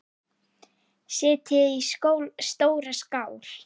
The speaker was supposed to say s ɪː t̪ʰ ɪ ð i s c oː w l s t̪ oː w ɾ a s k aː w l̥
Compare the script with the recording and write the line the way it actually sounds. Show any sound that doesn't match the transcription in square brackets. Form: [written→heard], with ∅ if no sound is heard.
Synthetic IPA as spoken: s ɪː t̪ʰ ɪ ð i s [c→k] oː w l s t̪ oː w ɾ a s k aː w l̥